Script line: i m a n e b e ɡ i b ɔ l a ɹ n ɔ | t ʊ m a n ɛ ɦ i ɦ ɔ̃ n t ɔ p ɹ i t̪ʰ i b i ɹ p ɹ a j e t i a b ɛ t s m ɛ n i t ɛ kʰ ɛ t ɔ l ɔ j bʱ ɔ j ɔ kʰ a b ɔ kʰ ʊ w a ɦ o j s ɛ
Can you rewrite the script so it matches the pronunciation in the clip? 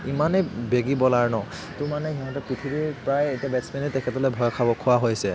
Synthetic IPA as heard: i m a n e b e ɡ i b ɔ l a ɹ n ɔ | t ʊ m a n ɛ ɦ i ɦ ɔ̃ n t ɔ p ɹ i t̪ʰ i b i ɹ p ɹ a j e t i a b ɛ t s m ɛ n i t ɛ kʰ ɛ t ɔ l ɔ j bʱ ɔ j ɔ kʰ a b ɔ kʰ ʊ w a ɦ o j s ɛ